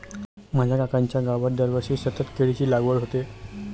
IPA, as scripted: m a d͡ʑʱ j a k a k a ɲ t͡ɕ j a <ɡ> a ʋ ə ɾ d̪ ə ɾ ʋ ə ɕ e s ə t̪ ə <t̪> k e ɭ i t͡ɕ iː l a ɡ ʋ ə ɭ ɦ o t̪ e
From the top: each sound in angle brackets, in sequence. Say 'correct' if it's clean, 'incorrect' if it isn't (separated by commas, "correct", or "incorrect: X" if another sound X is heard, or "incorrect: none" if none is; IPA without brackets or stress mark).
correct, correct